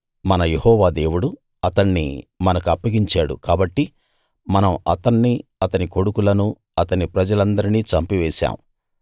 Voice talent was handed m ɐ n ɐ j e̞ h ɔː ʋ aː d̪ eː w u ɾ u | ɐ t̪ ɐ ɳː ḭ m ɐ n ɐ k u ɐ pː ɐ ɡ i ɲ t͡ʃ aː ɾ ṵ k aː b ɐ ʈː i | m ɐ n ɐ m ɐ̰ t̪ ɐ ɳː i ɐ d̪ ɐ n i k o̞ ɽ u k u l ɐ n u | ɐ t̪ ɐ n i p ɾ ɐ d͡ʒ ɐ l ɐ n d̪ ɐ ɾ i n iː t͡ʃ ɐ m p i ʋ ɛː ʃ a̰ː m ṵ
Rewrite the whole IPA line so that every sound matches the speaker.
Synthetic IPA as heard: m ɐ n ɐ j e̞ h ɔː ʋ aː d̪ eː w u ɽ u | ɐ t̪ ɐ ɳː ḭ m ɐ n ɐ k u ɐ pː ɐ ɡ i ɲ t͡ʃ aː ɽ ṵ k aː b ɐ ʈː i | m ɐ n ɐ m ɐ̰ t̪ ɐ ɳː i ɐ t̪ ɐ n i k o̞ ɽ u k u l ɐ n u | ɐ t̪ ɐ n i p ɾ ɐ d͡ʒ ɐ l ɐ n d̪ ɐ ɾ i n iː t͡ʃ ɐ m p i ʋ ɛː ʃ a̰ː m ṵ